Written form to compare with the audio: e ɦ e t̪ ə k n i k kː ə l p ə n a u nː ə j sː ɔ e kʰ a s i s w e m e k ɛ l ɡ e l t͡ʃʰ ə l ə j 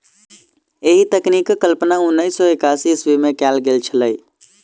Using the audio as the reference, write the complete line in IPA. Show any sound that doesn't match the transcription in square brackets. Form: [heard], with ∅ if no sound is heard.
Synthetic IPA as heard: e ɦ [i] t̪ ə k n i k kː ə l p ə n a u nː ə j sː ɔ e [k] a s i s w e m e k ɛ l ɡ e l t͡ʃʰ ə l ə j